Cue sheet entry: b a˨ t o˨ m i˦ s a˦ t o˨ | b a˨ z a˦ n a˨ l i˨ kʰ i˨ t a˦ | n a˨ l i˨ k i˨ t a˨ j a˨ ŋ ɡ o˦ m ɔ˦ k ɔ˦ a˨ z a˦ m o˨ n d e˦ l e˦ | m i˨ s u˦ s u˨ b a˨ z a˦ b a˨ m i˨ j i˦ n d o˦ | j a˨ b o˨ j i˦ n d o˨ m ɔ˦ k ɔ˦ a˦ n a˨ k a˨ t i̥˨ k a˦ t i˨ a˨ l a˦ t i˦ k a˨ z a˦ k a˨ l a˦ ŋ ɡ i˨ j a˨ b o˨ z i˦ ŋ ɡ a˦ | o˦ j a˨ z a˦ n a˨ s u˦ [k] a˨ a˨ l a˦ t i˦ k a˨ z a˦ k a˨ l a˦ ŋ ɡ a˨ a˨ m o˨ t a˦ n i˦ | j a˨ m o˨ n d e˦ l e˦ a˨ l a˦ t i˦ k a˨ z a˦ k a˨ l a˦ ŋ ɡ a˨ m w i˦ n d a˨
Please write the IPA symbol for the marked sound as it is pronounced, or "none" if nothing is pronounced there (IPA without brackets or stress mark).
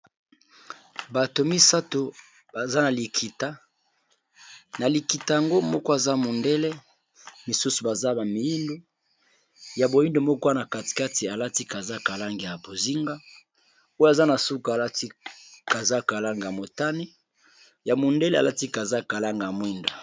k